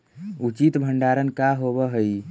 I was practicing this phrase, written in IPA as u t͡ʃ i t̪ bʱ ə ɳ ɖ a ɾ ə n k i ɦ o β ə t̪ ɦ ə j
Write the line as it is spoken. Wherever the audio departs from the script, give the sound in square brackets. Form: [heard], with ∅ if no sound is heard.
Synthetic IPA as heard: u t͡ʃ i t̪ bʱ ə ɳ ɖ a ɾ ə n k [a] ɦ o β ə [∅] ɦ ə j

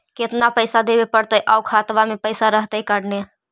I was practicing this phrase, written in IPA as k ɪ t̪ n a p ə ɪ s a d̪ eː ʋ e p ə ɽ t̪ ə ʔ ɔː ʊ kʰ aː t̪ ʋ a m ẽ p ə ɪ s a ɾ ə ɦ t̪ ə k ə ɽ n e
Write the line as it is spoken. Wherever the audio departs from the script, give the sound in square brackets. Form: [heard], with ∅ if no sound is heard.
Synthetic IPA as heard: k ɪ t̪ n a p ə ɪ s a d̪ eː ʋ e p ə ɽ t̪ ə ʔ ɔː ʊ kʰ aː t̪ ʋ a m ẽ p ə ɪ s a ɾ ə ɦ t̪ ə k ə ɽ n e

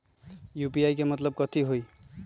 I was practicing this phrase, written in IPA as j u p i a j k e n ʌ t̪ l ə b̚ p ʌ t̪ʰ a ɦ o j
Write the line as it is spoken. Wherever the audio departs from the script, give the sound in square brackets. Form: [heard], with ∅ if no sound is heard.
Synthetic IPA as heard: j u p i a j k e [m] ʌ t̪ l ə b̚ [k] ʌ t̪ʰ [i] ɦ o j

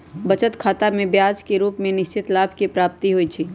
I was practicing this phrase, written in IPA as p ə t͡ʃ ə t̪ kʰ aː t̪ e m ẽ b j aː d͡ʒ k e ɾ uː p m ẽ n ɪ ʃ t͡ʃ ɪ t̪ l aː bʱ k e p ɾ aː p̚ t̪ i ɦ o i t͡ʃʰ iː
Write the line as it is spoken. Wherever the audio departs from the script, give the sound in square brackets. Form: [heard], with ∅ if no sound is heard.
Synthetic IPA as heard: [b] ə t͡ʃ ə t̪ kʰ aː t̪ [a] m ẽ b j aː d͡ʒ k e ɾ uː p m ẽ n ɪ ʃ t͡ʃ ɪ t̪ l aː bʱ k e p ɾ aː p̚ t̪ i ɦ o i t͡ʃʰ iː

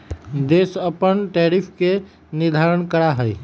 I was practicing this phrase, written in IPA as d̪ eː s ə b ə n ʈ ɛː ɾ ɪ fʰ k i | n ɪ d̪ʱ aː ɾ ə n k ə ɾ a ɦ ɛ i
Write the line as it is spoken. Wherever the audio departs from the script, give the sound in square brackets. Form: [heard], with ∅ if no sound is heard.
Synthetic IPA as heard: d̪ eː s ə [p] ə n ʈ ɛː ɾ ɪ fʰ k [e] | n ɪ d̪ʱ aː ɾ ə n k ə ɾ a ɦ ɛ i

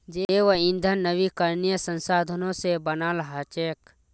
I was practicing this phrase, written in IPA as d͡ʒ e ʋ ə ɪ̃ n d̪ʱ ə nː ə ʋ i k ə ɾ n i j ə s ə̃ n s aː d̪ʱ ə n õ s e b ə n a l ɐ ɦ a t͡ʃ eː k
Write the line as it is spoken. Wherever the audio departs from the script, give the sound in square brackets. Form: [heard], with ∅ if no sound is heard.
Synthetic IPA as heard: d͡ʒ e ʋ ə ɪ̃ n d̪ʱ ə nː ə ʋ i k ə ɾ n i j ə s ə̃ n s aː d̪ʱ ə n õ s e b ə n a l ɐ ɦ a t͡ʃ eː k

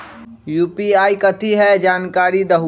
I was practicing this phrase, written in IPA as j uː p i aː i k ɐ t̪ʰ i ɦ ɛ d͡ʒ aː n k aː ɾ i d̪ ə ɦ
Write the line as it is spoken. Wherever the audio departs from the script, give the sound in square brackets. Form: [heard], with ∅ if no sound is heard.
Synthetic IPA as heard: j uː p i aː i k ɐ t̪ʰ i ɦ ɛ d͡ʒ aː n k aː ɾ i d̪ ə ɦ

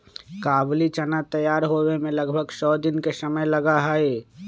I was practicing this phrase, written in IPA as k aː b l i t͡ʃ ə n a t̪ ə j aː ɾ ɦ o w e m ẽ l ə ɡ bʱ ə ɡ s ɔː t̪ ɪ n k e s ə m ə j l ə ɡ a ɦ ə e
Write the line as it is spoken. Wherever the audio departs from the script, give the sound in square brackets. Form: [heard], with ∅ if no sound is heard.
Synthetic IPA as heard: k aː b l i t͡ʃ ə n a t̪ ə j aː ɾ ɦ o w e m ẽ l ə ɡ bʱ ə ɡ s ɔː [d̪] ɪ n k e s ə m ə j l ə ɡ a ɦ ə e

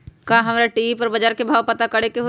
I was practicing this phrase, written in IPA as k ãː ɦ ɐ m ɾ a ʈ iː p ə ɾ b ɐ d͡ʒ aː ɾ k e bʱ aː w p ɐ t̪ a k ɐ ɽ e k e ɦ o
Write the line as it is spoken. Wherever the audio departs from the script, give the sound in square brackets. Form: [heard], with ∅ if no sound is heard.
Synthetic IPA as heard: k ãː ɦ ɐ m ɾ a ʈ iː p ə ɾ b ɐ d͡ʒ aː ɾ k e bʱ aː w p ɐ t̪ a k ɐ ɽ e k e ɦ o

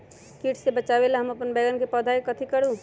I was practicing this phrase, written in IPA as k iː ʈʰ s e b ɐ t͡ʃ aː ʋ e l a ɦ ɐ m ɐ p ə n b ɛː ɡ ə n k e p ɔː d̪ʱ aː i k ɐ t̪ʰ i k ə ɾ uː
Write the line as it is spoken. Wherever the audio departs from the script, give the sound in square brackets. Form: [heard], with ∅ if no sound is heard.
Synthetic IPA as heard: k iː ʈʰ s e b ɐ t͡ʃ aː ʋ e l a ɦ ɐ m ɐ p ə n b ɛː ɡ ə n k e p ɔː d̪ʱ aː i k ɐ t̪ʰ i k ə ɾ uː

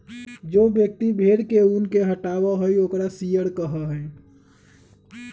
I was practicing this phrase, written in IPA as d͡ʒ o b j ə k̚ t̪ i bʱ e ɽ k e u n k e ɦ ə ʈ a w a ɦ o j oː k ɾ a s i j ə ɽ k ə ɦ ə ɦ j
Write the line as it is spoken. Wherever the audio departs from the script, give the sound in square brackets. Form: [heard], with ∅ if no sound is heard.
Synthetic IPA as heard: d͡ʒ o b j ə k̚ t̪ i bʱ e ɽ k e u n k e ɦ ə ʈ a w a ɦ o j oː k ɾ a s i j ə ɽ k ə ɦ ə ɦ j

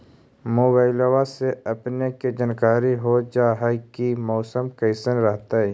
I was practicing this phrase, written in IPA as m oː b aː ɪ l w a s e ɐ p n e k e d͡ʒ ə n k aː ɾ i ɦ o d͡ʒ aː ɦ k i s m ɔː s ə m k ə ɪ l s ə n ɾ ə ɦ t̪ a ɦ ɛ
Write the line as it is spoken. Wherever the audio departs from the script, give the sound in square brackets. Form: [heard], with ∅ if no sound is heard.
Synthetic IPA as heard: m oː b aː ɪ l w a s e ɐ p n e k e d͡ʒ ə n k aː ɾ i ɦ o d͡ʒ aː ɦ k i [∅] m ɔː s ə m k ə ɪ [∅] s ə n ɾ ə ɦ t̪ a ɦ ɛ

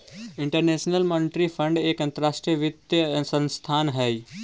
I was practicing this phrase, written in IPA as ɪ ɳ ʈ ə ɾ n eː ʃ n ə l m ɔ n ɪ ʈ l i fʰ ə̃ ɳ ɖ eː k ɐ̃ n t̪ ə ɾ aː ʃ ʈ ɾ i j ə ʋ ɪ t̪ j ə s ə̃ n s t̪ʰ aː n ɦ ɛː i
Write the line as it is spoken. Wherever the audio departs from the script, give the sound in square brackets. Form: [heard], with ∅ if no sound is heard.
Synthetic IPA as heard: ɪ ɳ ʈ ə ɾ n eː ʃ n ə l m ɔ n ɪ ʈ [ɾ] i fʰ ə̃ ɳ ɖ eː k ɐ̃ n t̪ ə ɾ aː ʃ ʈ ɾ i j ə ʋ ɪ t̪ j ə s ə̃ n s t̪ʰ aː n ɦ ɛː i

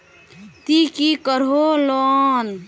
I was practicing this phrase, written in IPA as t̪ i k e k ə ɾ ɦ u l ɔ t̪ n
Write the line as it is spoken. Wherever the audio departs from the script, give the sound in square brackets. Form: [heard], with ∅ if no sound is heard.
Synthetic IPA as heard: t̪ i k [i] k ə ɾ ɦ [o] l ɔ [∅] n

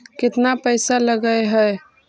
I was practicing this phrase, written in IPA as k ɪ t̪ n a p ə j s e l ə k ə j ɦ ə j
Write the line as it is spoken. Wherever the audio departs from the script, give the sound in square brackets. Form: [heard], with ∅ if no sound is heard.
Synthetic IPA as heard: k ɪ t̪ n a p ə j s [a] l ə [ɡ] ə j ɦ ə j

